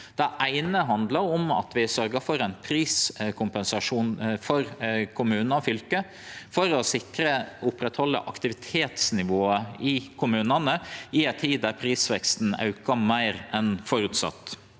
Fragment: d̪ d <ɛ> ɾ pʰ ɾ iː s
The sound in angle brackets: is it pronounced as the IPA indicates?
no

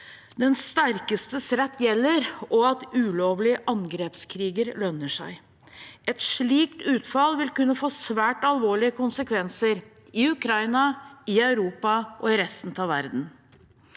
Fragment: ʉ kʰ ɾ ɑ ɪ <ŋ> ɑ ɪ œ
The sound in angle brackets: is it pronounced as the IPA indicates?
no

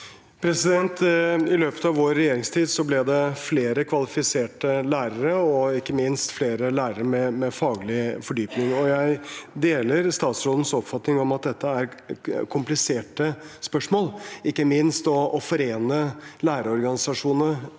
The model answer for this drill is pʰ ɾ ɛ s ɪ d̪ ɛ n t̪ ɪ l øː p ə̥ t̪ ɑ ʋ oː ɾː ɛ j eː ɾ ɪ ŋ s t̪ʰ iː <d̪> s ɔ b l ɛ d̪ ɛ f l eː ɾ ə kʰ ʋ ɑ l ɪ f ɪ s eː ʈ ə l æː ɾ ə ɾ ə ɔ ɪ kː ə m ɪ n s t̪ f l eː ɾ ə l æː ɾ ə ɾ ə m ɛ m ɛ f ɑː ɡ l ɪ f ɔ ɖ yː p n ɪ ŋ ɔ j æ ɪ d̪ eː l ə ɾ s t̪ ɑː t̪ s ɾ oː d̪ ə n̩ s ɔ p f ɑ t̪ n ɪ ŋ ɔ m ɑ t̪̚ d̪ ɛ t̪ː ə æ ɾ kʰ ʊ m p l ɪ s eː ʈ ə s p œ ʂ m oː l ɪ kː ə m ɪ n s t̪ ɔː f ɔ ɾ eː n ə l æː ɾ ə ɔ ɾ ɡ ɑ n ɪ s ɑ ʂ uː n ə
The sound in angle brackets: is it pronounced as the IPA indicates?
yes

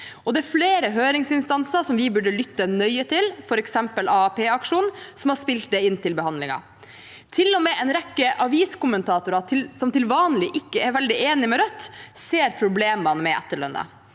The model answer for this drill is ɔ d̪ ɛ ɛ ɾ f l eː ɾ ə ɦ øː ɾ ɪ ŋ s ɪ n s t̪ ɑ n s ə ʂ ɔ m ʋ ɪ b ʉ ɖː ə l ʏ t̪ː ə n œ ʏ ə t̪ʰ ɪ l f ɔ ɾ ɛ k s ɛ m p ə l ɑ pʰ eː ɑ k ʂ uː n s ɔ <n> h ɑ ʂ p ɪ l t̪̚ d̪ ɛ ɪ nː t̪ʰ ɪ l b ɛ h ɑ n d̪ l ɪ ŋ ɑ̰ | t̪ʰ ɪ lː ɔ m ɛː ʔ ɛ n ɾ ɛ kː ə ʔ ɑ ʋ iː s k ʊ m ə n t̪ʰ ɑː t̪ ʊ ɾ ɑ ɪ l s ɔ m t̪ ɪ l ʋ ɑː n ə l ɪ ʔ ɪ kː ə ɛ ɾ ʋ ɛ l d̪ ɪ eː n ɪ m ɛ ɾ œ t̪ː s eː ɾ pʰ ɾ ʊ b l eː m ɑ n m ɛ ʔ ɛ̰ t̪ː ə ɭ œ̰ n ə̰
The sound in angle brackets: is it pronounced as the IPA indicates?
no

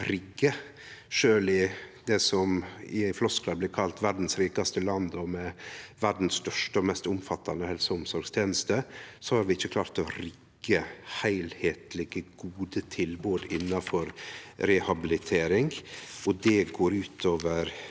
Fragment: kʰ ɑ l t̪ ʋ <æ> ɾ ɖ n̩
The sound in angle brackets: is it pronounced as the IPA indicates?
yes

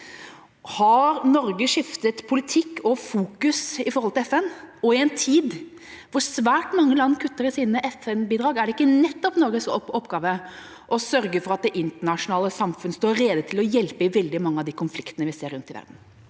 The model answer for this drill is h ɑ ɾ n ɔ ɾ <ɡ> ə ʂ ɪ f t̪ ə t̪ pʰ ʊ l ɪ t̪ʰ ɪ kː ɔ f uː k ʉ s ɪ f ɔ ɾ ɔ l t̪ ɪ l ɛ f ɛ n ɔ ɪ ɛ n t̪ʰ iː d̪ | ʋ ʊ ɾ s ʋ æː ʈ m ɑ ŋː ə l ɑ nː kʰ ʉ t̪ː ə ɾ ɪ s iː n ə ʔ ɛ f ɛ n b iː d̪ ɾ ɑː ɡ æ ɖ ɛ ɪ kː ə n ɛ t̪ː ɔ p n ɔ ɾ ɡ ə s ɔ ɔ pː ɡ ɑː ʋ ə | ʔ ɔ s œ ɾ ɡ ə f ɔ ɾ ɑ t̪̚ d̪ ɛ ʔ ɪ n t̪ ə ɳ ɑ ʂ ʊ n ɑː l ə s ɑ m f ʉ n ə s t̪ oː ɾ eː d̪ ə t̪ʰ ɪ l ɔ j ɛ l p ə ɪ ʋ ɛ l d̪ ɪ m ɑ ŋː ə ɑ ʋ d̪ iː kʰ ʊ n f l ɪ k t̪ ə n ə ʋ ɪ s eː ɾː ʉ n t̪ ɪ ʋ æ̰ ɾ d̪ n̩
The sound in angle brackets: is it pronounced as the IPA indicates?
yes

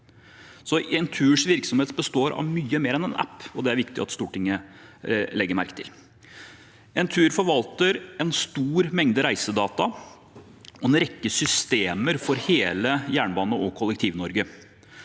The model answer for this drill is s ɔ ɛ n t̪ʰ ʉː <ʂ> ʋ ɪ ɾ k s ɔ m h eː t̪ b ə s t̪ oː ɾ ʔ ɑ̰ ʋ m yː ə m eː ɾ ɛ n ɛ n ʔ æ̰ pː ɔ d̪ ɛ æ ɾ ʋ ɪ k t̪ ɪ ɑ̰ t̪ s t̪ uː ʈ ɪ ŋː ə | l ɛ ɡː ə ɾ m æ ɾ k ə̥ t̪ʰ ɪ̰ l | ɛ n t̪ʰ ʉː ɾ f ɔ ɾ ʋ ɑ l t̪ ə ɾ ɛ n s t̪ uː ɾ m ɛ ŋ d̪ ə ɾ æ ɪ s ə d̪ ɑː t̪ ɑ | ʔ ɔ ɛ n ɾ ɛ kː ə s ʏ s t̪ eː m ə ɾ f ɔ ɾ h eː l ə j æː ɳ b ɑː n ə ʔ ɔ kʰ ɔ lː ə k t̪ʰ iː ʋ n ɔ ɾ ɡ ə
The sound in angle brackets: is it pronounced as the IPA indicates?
yes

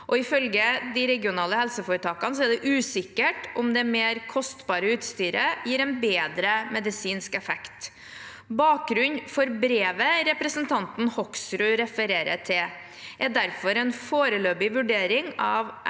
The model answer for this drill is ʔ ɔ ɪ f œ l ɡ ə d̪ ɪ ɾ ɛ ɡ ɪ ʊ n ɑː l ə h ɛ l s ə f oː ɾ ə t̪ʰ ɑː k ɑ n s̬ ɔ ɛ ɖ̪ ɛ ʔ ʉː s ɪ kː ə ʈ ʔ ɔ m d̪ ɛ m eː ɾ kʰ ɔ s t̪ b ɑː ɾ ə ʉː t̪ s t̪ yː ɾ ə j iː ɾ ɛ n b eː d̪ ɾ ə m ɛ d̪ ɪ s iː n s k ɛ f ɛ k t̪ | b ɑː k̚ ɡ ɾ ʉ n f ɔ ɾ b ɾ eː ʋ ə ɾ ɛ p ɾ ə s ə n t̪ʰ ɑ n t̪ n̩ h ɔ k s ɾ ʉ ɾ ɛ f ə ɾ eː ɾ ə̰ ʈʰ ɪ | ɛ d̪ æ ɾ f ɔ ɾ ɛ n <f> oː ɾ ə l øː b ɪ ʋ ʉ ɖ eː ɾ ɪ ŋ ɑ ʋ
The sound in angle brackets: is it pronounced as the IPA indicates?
yes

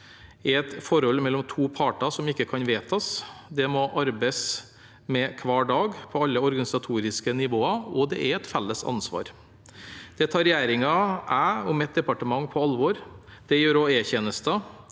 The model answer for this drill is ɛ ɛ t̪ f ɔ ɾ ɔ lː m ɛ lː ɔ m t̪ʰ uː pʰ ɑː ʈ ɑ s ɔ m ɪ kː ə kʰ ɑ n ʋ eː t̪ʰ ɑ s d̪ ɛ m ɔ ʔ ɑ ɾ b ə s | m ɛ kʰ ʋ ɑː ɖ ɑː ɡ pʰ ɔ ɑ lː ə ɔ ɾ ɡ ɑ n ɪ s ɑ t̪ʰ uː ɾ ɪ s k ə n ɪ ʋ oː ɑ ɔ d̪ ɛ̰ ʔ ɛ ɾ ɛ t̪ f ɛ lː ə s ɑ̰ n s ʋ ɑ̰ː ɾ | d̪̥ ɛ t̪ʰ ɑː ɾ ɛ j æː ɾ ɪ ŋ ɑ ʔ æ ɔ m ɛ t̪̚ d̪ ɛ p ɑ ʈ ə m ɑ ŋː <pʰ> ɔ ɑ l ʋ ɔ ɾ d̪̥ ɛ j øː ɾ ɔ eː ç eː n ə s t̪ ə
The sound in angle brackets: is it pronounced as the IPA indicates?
yes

